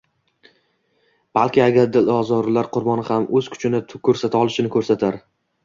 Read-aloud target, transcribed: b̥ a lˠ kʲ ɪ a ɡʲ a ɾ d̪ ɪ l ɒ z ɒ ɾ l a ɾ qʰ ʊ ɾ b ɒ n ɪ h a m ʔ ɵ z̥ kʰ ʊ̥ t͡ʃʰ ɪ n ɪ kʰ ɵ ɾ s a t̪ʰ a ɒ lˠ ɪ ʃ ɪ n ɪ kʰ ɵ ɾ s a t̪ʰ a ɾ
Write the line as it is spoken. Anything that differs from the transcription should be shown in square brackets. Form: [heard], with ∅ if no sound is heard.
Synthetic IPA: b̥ a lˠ kʲ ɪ a ɡʲ a ɾ d̪ ɪ l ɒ z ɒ ɾ l a ɾ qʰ ʊ ɾ b ɒ n ɪ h a m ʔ ɵ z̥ kʰ ʊ̥ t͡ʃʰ ɪ n ɪ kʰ ɵ ɾ s a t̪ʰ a ɒ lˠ ɪ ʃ ɪ n ɪ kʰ ɵ ɾ s a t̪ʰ a ɾ